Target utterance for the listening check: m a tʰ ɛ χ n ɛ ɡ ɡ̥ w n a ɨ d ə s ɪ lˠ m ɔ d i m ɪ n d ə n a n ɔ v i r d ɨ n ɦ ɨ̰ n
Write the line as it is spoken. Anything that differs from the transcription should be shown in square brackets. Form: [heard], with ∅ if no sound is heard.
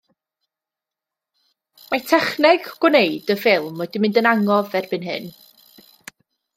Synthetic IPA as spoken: m a tʰ ɛ χ n ɛ ɡ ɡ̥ w n [e] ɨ d ə [f] ɪ lˠ m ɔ d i m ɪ n d ə n a [ŋ] ɔ v [ɛ] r [b] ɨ n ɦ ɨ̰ n